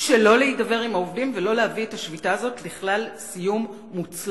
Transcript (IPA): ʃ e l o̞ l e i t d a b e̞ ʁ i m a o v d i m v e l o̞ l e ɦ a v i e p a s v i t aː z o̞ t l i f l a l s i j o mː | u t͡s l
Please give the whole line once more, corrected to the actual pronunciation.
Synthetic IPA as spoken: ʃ e l o̞ l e i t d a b e̞ ʁ i m a o v d i m v e l o̞ l e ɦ a v i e t a ʃ v i t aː z o̞ t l i χ l a l s i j u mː | u t͡s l